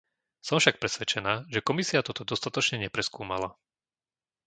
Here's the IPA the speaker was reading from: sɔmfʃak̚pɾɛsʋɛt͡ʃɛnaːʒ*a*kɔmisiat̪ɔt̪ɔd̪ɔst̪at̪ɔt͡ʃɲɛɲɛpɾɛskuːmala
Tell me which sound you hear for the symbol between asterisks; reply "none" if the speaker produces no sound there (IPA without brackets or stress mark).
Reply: ɛ